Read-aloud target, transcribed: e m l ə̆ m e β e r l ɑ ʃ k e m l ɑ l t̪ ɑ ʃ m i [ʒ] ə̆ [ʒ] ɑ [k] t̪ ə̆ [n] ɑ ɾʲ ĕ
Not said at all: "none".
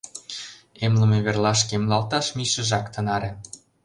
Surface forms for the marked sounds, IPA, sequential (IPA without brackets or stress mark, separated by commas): ʃ, ʒ, k, n